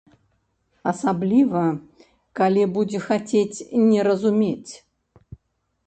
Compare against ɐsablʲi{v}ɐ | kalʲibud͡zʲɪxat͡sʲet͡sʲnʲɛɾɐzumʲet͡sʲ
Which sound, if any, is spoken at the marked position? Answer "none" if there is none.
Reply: v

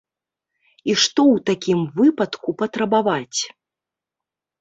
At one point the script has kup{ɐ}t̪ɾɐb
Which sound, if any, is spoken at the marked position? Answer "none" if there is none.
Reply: ɐ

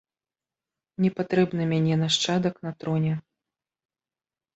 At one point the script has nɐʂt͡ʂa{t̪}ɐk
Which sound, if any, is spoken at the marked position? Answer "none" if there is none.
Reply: d̪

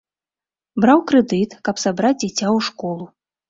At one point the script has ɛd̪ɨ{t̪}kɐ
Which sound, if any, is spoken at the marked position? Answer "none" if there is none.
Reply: t̪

